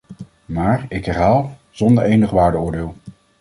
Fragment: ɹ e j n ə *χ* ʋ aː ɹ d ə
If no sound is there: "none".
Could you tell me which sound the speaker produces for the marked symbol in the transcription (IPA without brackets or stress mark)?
χ